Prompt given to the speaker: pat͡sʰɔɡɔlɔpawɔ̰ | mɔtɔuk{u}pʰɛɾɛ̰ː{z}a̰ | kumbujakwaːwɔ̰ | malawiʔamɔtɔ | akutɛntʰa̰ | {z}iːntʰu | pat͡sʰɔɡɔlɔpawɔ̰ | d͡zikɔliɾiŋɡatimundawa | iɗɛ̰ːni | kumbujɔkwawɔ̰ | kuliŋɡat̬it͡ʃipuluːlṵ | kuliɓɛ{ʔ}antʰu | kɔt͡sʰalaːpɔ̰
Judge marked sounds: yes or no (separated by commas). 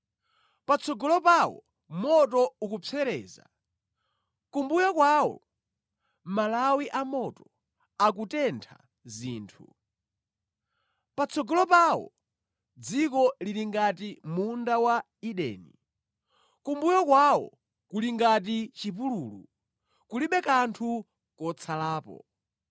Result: yes, yes, yes, no